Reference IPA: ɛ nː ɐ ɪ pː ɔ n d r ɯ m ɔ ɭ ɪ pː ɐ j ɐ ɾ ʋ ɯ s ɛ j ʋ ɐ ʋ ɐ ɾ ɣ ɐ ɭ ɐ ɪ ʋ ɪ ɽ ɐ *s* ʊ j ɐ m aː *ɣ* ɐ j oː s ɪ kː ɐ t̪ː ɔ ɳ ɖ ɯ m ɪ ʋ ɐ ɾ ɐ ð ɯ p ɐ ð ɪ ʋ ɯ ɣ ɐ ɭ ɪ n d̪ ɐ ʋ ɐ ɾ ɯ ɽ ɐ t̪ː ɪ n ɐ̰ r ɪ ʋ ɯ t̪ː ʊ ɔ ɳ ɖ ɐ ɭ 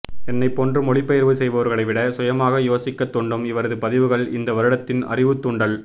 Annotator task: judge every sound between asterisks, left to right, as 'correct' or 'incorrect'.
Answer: correct, correct

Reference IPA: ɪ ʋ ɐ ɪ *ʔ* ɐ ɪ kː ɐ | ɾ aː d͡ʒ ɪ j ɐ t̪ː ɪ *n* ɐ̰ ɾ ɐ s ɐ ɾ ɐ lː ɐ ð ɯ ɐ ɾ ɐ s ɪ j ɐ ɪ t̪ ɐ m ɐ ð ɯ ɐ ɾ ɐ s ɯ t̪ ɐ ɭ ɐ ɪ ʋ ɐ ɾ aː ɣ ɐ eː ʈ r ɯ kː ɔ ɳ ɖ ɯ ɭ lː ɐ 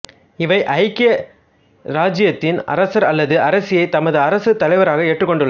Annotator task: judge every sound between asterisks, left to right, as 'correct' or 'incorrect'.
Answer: correct, correct

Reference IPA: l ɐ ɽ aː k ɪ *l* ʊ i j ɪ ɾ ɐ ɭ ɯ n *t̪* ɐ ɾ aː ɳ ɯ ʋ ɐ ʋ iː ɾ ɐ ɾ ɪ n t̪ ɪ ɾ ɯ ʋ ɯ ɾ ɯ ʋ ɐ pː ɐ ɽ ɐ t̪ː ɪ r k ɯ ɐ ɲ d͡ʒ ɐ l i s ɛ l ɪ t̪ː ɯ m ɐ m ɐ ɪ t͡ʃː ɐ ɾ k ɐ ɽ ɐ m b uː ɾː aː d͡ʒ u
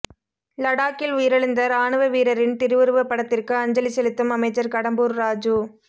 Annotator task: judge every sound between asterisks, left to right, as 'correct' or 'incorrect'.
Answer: correct, incorrect: d̪

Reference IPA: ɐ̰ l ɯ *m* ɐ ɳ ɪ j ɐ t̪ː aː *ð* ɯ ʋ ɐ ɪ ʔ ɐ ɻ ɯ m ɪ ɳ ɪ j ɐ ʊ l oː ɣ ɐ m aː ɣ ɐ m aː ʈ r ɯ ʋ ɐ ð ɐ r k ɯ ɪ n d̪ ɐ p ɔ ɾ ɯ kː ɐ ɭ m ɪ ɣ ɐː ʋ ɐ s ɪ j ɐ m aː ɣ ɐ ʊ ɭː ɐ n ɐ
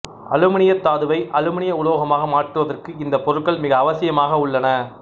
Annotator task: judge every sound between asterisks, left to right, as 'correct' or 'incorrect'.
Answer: correct, correct

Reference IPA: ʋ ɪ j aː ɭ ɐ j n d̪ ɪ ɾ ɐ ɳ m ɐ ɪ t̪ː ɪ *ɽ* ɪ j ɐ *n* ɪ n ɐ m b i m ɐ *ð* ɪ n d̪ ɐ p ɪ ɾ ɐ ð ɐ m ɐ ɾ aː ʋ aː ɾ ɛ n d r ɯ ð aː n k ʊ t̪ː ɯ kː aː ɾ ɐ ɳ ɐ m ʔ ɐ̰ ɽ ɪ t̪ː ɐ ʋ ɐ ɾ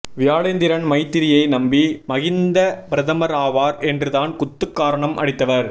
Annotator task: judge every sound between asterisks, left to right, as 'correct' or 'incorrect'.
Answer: incorrect: ɾ, incorrect: none, incorrect: ɣ

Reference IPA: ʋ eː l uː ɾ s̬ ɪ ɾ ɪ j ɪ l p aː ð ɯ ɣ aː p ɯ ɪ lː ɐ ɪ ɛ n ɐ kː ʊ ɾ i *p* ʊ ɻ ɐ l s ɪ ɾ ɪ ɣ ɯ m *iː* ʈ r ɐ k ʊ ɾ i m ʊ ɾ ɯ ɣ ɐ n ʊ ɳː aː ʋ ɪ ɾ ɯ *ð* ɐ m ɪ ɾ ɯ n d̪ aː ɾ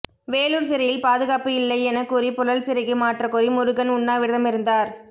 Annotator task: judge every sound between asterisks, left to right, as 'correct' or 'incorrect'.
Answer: correct, incorrect: aː, correct

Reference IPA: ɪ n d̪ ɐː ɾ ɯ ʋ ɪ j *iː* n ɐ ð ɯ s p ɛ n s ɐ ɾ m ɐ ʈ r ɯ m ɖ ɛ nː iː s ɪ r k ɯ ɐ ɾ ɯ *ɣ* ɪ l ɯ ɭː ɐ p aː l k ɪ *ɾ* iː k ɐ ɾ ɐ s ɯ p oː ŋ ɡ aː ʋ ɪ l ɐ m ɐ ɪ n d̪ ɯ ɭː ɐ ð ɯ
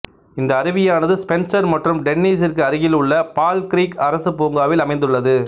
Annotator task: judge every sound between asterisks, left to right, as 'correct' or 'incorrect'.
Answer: incorrect: aː, correct, correct

